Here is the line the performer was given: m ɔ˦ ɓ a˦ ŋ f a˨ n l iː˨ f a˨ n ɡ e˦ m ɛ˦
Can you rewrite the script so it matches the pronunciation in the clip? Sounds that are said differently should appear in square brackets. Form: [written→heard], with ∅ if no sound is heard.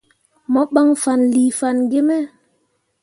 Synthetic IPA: m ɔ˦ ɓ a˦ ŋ f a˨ n l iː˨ f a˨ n ɡ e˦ m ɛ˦